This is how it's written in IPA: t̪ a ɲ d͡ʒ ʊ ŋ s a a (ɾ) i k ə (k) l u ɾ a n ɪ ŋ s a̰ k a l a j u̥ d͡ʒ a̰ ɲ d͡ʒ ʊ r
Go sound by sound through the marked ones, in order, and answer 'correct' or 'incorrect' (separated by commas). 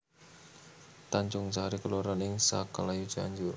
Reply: correct, incorrect